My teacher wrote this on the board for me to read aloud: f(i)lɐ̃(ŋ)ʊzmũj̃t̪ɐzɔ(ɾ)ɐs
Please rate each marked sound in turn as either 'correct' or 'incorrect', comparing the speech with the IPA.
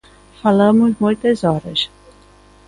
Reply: incorrect: a, incorrect: m, correct

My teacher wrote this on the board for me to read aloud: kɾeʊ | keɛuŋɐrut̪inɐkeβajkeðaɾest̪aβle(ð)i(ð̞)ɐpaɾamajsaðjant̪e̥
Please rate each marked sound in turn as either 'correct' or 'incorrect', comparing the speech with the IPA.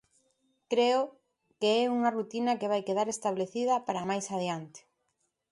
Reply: incorrect: θ, correct

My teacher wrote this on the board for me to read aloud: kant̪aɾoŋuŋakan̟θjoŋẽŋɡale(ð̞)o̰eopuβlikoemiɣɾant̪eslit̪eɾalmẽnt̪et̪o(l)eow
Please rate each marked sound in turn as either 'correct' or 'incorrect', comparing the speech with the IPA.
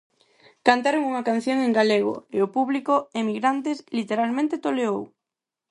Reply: incorrect: ɣ̞, correct

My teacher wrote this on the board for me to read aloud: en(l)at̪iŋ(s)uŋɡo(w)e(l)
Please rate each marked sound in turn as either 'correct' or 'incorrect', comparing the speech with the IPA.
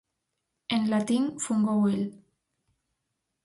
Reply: correct, incorrect: f, correct, correct

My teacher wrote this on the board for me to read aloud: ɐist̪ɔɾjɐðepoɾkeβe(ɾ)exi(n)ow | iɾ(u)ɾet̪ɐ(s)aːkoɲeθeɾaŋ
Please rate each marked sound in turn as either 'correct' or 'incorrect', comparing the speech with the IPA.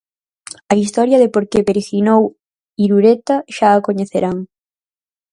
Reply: correct, correct, correct, incorrect: ʃ

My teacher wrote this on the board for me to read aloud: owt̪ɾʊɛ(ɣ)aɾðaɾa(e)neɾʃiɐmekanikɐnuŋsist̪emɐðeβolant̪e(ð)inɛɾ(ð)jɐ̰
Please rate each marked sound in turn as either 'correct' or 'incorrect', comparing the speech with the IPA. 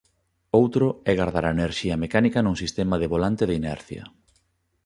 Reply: correct, correct, correct, incorrect: θ

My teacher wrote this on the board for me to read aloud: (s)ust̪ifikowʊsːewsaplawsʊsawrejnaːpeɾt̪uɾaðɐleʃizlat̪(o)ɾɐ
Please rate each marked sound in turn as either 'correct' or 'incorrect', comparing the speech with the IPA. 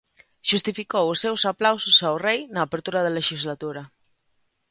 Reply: incorrect: ʃ, incorrect: u

